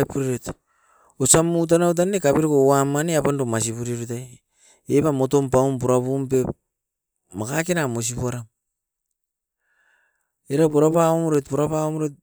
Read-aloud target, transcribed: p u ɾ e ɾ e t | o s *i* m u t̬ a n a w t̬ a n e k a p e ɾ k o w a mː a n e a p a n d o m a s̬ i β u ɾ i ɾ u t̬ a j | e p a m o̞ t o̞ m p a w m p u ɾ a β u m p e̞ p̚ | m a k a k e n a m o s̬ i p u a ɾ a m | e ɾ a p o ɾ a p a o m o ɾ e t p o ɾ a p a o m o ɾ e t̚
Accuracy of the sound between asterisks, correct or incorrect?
incorrect: a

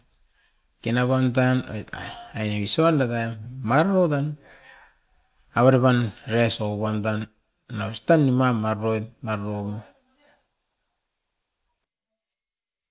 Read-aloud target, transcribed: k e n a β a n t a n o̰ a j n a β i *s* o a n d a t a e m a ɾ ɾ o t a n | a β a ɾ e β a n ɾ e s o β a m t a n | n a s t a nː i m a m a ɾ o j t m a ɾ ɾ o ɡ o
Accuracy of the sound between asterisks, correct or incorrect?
correct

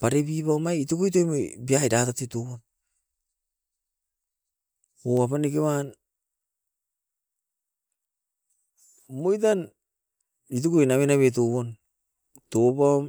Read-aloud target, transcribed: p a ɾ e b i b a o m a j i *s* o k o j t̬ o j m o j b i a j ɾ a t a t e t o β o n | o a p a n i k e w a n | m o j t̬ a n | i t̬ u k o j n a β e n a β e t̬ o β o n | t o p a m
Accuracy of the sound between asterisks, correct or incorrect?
incorrect: t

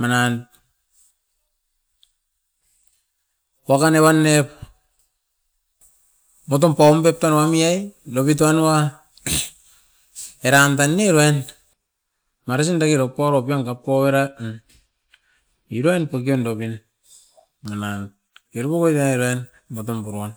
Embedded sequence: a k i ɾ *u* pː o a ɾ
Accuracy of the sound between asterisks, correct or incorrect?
incorrect: o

